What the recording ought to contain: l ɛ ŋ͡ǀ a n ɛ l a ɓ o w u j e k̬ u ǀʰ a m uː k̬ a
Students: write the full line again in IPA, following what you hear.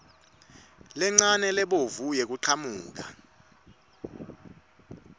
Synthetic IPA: l ɛ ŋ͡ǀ a n ɛ l ɛ ɓ o v u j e k̬ u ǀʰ a m uː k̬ a